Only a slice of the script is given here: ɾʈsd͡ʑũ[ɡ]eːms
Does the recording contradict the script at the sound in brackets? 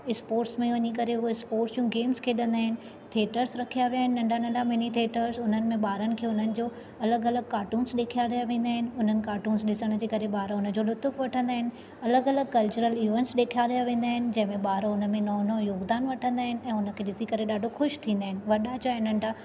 no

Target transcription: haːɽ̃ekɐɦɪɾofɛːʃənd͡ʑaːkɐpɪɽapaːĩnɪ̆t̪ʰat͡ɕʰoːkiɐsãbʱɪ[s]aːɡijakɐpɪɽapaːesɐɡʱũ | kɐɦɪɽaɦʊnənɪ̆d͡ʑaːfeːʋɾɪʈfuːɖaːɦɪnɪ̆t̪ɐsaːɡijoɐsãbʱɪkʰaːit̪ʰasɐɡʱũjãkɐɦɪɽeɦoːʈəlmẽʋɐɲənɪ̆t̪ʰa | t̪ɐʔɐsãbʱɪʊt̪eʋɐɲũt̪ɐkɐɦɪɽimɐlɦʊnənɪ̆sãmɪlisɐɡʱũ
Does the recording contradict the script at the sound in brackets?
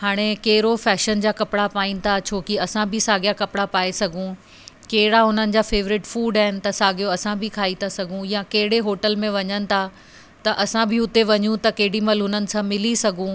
no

